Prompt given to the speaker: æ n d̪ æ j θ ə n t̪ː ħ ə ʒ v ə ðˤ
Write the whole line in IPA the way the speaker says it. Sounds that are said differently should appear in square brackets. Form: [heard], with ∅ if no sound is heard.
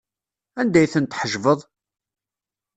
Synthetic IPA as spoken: æ n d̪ æ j θ ə n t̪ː ħ ə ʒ v ə ðˤ